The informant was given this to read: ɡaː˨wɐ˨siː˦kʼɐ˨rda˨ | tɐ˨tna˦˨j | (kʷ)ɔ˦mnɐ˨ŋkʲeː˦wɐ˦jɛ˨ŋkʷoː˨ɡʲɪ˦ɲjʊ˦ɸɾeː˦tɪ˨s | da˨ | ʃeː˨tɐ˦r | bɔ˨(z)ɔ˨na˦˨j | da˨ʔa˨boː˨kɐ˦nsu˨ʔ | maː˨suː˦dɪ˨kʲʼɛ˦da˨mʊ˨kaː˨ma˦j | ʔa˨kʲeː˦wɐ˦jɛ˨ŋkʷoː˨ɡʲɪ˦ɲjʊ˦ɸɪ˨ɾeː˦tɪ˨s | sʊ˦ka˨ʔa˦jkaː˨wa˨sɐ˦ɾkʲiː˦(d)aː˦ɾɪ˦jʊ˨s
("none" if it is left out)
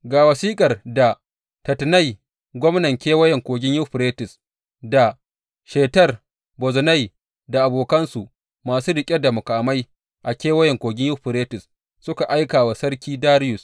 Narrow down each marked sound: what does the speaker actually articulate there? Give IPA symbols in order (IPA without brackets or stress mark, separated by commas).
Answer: ɡʷ, z, d